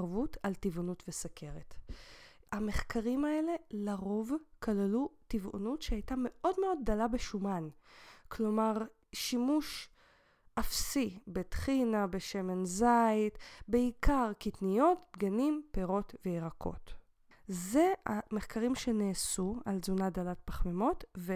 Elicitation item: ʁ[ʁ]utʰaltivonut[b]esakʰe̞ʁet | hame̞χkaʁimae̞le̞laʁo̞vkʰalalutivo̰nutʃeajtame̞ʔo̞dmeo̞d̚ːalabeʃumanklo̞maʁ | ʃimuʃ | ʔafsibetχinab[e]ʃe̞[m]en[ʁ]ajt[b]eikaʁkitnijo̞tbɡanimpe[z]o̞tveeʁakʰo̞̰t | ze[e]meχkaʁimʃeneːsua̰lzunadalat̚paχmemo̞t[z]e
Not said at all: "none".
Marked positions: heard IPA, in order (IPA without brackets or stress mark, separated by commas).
v, v, e, m, z, b, ʁ, a, v